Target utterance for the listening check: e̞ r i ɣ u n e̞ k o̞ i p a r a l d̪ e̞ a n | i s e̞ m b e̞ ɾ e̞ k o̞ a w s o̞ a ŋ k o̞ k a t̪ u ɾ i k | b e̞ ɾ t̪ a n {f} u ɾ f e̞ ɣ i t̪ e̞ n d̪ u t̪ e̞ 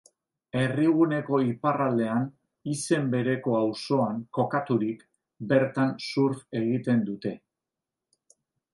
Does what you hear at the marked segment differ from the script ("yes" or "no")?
yes